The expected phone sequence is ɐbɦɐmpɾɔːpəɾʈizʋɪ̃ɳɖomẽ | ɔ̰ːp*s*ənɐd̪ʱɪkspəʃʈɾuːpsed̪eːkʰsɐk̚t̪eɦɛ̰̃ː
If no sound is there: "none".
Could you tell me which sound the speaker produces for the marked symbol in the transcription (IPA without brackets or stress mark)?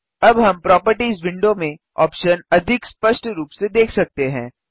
ʃ